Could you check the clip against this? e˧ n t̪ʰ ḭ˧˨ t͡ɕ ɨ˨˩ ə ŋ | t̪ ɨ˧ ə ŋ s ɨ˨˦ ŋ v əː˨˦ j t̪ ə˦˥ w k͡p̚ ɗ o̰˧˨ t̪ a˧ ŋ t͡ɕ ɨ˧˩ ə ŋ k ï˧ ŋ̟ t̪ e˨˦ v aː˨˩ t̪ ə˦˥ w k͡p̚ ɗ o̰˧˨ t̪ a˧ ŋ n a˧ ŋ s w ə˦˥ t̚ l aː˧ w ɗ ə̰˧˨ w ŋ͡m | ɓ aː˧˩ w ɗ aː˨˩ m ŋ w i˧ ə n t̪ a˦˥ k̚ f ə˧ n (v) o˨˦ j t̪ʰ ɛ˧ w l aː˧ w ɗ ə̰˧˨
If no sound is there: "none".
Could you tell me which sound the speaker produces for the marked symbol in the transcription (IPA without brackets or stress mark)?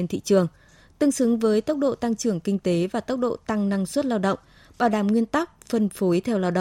f